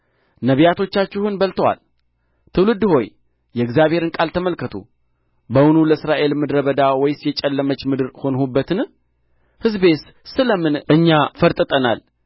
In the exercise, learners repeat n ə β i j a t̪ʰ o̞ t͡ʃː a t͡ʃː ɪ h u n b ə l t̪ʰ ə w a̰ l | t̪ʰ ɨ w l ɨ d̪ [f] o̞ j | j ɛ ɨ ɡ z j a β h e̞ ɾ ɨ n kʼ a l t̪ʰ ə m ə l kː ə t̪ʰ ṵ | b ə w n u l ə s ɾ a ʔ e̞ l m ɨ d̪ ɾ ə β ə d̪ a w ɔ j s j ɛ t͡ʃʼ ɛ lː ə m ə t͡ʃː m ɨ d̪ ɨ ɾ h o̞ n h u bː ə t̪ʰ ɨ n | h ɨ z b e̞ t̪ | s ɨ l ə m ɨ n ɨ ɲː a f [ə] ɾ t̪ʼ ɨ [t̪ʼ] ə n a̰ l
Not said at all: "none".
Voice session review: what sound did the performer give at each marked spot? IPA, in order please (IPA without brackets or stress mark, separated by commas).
h, ə, t̪ʼ